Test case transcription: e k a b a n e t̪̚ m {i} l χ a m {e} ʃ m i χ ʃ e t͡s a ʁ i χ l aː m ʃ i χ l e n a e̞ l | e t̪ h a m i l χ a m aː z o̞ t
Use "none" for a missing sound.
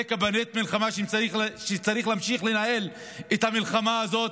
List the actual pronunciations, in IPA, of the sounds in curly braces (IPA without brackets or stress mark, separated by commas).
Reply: i, a